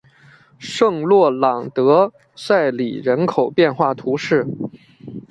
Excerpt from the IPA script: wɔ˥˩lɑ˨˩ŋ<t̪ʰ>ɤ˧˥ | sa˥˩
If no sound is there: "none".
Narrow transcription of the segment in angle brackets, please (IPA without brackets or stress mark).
t̪